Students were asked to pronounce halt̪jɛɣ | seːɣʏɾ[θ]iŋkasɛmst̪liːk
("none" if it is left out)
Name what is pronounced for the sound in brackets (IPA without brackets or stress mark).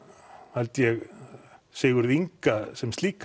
ð